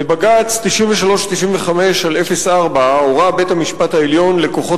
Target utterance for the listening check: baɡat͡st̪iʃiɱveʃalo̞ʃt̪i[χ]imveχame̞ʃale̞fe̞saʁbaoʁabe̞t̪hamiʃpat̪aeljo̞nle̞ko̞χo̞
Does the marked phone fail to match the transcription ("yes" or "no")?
yes